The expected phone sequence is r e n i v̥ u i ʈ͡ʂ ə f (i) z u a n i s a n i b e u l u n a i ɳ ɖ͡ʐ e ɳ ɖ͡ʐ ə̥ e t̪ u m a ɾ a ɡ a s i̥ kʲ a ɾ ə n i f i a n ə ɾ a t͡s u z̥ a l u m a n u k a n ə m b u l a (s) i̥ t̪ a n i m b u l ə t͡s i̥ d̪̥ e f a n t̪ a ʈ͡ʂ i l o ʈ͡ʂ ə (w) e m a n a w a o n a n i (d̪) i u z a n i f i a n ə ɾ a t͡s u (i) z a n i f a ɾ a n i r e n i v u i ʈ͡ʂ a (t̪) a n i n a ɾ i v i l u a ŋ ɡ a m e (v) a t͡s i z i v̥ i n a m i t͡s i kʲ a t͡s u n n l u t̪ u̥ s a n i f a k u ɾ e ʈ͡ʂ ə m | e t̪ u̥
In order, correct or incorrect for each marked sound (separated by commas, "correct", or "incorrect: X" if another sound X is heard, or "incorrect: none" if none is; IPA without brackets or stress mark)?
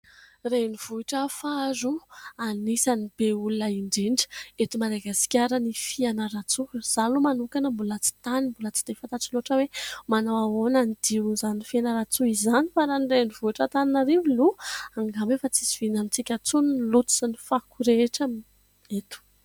incorrect: a, incorrect: t͡s, correct, correct, correct, correct, incorrect: f